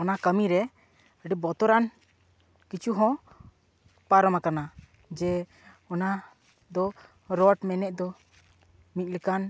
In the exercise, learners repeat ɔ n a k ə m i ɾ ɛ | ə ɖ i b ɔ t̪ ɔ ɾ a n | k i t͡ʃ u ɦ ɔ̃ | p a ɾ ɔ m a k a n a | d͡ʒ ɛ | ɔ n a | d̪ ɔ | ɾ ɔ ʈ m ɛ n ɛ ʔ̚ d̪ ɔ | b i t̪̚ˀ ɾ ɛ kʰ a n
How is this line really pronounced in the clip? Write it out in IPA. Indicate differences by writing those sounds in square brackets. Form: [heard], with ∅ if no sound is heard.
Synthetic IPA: ɔ n a k ə m i ɾ ɛ | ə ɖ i b ɔ t̪ ɔ ɾ a n | k i t͡ʃ u ɦ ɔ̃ | p a ɾ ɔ m a k a n a | d͡ʒ ɛ | ɔ n a | d̪ ɔ | ɾ ɔ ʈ m ɛ n ɛ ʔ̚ d̪ ɔ | [m] i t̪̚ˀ [l] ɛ [k] a n